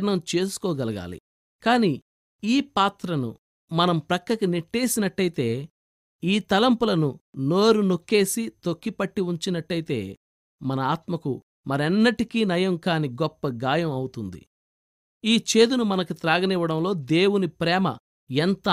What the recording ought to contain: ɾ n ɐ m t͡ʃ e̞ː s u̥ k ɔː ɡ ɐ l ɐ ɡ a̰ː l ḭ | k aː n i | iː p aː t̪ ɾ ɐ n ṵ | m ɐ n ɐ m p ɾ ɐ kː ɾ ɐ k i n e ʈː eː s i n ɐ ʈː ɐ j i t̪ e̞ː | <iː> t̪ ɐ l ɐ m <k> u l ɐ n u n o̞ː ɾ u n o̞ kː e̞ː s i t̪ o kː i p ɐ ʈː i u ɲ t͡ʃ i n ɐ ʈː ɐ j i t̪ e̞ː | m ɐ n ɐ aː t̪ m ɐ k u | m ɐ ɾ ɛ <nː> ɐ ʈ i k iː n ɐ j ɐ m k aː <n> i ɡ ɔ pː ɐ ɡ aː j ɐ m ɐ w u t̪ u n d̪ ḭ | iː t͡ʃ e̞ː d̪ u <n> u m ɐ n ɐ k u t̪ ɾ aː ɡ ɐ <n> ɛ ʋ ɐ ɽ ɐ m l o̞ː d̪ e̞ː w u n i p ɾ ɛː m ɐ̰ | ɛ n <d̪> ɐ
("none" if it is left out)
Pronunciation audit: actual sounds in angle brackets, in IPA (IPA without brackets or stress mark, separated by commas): iː, p, nː, n, n, n, t̪